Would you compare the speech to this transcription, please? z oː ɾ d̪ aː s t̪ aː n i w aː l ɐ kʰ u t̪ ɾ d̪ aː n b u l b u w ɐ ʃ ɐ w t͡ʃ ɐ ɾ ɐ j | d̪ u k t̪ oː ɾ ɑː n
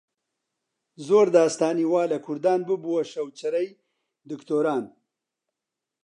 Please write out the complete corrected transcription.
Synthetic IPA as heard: z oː ɾ d̪ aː s t̪ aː n i w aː l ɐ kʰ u ɾ d̪ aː n b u b u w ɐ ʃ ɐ w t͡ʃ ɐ ɾ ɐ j | d̪ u k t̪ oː ɾ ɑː n